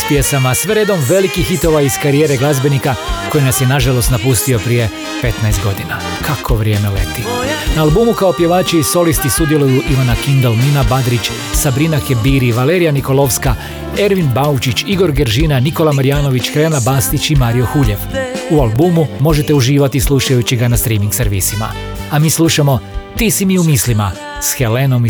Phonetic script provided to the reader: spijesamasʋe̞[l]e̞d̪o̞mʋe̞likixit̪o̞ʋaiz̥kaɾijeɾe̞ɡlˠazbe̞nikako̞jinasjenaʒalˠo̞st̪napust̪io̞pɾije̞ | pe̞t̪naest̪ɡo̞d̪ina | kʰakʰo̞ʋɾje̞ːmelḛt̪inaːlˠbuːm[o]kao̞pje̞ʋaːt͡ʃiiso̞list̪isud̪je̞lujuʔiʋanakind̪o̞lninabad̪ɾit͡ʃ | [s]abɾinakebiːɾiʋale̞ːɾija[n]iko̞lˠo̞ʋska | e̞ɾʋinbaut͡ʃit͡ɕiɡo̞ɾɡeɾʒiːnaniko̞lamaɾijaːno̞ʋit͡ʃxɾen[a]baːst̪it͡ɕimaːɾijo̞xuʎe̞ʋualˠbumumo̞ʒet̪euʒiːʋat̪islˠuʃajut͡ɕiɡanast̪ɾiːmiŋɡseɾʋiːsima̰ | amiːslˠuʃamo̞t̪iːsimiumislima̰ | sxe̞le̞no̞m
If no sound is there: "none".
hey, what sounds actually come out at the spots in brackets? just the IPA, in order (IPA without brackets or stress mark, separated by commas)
ɾ, u, s, n, a